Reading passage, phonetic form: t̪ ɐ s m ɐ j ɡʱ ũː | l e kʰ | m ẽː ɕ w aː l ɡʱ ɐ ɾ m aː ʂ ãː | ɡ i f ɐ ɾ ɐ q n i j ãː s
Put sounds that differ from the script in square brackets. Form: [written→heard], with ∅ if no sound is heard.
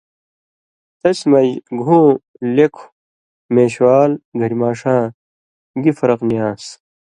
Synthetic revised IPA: t̪ ɐ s m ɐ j ɡʱ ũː | l e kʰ | m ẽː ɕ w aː l ɡʱ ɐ ɾ m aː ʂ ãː | ɡ i f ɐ ɾ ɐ q n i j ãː s